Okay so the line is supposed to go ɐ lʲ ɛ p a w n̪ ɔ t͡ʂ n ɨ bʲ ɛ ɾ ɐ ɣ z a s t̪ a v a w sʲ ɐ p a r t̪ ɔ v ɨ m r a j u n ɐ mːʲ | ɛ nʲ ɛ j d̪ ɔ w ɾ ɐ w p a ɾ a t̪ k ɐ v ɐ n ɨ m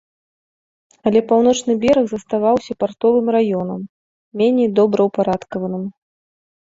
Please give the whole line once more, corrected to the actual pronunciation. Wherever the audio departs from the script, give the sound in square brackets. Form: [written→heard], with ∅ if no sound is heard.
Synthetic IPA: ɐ lʲ ɛ p a w n̪ ɔ t͡ʂ n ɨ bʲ ɛ ɾ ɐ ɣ z [a→ɐ] s t̪ a v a w sʲ ɐ p a r t̪ ɔ v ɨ m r a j [u→ɔ] n ɐ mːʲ | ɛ nʲ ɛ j d̪ ɔ [w→b] ɾ ɐ w p a ɾ a t̪ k ɐ v ɐ n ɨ m